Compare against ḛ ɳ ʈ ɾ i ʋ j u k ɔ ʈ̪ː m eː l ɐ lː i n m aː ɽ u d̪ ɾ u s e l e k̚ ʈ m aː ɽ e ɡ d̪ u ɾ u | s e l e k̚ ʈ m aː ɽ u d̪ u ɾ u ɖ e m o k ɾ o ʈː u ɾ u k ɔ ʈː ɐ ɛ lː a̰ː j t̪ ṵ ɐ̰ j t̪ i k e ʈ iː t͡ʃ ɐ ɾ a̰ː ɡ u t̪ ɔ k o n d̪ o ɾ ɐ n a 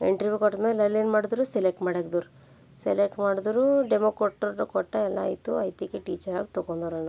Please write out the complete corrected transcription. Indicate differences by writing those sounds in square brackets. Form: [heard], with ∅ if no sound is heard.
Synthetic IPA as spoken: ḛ ɳ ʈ ɾ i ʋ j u k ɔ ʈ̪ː m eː l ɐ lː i n m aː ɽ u d̪ ɾ u s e l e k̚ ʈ m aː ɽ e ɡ d̪ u ɾ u | s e l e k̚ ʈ m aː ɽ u d̪ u ɾ u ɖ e m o k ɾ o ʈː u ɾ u k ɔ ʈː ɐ ɛ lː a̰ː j t̪ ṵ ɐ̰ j t̪ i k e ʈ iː t͡ʃ ɐ ɾ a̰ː ɡ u t̪ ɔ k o n d̪ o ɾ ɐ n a